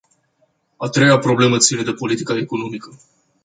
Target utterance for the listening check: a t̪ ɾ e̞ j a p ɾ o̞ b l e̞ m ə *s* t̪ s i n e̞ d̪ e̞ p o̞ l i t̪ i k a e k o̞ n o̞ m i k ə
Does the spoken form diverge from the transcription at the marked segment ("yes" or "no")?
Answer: yes